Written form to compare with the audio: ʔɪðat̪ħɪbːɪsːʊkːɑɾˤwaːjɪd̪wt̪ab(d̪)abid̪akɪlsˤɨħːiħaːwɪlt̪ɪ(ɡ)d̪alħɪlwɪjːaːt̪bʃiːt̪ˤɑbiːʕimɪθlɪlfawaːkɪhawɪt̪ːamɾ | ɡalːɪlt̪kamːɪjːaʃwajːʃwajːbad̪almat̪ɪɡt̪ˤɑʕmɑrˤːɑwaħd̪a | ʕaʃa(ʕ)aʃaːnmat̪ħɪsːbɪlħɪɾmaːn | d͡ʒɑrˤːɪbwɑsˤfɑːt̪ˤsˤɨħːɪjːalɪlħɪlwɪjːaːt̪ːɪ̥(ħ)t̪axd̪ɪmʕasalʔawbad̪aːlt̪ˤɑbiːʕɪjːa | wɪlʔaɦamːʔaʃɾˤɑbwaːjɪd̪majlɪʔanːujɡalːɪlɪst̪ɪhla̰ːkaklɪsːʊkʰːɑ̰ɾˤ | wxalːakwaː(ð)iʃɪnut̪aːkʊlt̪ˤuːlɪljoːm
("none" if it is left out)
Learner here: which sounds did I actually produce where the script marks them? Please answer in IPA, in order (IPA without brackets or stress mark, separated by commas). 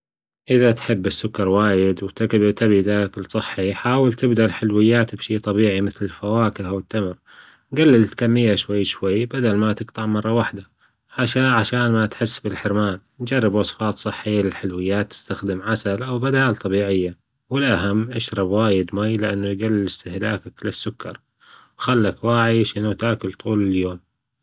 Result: t̪, b, ʕ, s, ʕ